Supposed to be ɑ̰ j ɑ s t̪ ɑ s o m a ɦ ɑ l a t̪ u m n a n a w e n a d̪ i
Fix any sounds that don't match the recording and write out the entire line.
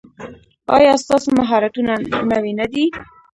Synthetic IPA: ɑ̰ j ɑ s t̪ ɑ s o m a ɦ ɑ ɾ a t̪ u n a n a w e n a d̪ i